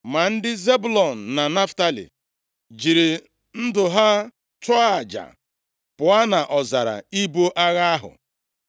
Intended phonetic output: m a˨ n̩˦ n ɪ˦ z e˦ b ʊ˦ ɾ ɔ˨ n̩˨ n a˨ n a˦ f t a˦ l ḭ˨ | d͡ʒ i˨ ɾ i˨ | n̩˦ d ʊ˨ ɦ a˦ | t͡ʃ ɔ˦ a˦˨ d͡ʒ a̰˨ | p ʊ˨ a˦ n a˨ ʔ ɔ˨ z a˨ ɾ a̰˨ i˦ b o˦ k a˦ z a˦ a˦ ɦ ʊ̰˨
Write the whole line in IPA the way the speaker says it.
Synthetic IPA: m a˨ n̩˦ d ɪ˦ z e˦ b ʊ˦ l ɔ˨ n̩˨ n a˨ n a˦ f t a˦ l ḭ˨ | d͡ʒ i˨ ɾ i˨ | n̩˦ d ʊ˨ ɦ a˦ | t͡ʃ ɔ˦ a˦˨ d͡ʒ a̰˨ | p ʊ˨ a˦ n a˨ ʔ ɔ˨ z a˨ ɾ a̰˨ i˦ b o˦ ʔ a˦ ɣ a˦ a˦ ɦ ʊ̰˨

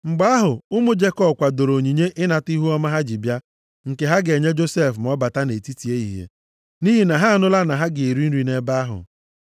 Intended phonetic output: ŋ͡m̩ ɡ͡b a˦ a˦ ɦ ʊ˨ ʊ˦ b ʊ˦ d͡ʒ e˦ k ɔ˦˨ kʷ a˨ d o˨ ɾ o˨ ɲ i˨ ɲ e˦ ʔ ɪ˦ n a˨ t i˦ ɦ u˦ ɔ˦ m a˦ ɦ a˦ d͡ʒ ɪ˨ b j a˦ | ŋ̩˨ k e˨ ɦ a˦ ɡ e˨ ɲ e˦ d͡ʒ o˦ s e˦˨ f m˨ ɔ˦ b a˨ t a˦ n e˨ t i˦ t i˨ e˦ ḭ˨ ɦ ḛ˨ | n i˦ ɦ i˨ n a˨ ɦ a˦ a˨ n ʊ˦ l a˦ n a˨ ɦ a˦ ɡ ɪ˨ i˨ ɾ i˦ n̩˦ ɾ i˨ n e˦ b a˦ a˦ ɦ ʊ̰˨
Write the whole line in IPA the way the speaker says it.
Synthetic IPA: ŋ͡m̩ ɡ͡b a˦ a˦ ɦ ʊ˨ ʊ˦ m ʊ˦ d͡ʒ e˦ k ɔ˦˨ kʷ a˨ d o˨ ɾ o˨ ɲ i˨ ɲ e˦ ʔ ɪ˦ n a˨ t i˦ ɦ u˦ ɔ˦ m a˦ ɦ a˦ d͡ʒ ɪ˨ b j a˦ | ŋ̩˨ k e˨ ɦ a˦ ɡ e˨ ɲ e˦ d͡ʒ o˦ s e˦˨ f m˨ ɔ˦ b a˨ t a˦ n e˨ t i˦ t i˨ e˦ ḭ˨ ɦ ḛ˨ | n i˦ ɦ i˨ n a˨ ɦ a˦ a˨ n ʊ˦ l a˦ n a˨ ɦ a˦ ɡ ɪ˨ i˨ ɾ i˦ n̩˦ ɾ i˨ n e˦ b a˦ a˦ ɦ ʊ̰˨

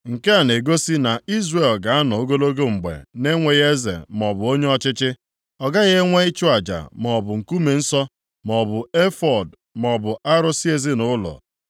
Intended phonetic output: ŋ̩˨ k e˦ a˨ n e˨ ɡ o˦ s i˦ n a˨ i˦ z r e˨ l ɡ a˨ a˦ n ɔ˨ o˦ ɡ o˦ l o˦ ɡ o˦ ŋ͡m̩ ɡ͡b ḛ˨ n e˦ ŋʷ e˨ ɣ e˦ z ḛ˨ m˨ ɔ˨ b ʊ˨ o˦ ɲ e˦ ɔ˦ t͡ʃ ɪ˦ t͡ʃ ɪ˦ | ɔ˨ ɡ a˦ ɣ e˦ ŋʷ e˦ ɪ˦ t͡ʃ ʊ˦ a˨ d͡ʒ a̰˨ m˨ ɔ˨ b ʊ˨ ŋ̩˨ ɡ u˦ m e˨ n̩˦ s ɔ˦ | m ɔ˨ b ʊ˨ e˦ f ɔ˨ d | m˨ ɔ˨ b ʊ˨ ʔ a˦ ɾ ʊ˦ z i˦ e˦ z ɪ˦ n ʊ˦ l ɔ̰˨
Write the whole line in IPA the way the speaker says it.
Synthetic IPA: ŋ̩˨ k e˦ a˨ n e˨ ɡ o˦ s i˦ n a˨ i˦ z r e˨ l ɡ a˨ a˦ n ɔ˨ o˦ ɡ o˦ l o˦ ɡ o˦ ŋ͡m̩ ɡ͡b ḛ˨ n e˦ ŋʷ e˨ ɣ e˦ z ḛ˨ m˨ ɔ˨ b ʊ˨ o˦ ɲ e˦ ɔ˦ t͡ʃ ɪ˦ t͡ʃ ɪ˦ | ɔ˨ ɡ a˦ ɣ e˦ ŋʷ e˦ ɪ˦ t͡ʃ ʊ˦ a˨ d͡ʒ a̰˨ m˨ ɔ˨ b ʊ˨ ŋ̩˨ k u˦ m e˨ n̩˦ s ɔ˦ | m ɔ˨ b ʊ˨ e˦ f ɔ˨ d | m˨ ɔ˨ b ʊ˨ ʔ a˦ ɾ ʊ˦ s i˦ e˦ z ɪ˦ n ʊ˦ l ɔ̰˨

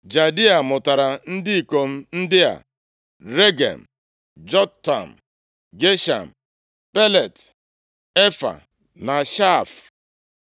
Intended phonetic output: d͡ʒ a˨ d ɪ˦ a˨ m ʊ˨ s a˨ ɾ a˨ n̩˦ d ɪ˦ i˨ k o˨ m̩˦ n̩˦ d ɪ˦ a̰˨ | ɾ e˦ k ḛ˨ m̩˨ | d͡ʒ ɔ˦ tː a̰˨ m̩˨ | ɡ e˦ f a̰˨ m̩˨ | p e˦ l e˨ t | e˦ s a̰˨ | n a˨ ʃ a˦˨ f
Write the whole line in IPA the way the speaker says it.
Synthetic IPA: d͡ʒ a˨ d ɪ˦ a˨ m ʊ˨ t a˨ ɾ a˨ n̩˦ d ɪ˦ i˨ k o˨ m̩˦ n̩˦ d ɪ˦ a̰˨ | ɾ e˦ ɡ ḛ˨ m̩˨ | d͡ʒ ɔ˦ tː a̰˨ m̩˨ | ɡ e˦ ʃ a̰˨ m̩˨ | p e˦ l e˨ t | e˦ f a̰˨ | n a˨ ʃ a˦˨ f

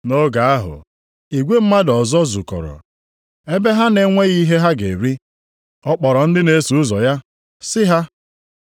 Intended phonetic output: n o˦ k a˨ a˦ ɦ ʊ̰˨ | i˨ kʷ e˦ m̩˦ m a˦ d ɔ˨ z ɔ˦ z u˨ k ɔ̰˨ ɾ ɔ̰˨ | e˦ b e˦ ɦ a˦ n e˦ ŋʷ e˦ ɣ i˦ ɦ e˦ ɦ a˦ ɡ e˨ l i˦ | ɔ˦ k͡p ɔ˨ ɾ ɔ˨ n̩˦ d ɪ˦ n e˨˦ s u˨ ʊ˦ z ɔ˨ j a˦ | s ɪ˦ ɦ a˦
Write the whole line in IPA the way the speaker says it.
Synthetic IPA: n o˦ ɡ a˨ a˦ ɦ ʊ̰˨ | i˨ ɡʷ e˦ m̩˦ m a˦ d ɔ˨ z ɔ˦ z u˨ k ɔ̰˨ ɾ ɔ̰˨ | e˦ b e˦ ɦ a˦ n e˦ ŋʷ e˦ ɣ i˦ ɦ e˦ ɦ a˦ ɡ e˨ ɾ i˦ | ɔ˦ k͡p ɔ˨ ɾ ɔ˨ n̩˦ d ɪ˦ n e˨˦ s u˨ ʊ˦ z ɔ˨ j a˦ | s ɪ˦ ɦ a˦

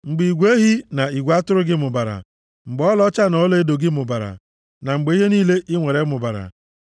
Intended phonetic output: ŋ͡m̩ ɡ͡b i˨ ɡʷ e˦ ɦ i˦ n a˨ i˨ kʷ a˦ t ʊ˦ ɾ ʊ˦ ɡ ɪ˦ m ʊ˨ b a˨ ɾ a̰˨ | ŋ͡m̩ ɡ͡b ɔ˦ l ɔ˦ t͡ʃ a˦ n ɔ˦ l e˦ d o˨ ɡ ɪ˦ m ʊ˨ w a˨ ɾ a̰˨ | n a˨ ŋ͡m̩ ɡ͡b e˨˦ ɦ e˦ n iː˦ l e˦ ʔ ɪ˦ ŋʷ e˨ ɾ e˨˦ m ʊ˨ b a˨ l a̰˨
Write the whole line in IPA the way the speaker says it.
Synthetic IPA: ŋ͡m̩ ɡ͡b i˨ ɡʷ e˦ ɦ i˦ n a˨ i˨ ɡʷ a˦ t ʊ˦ ɾ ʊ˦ ɡ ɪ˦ m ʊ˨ b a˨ ɾ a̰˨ | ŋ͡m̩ ɡ͡b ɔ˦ l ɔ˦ t͡ʃ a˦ n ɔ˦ l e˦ d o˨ ɡ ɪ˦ m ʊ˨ b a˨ ɾ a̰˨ | n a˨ ŋ͡m̩ ɡ͡b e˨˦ ɦ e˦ n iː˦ l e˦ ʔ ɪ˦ ŋʷ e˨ ɾ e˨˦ m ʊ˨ b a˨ ɾ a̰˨

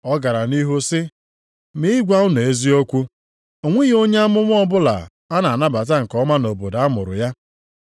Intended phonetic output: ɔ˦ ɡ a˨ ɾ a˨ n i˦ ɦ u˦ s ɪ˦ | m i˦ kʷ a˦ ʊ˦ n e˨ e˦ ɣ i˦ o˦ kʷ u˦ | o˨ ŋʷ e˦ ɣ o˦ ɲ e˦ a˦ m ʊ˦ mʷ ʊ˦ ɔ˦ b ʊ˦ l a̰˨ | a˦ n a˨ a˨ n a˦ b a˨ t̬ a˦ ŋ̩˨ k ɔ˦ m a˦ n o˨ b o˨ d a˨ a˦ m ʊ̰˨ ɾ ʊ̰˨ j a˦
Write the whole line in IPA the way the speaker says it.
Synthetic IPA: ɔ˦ ɡ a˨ ɾ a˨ n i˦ ɦ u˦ s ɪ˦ | m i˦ ɡʷ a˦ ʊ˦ n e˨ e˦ z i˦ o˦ kʷ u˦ | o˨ ŋʷ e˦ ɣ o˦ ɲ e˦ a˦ m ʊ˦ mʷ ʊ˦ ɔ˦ b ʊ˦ l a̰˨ | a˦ n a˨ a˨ n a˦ b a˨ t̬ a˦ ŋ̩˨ k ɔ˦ m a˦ n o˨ b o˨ d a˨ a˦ m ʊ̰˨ ɾ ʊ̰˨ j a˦

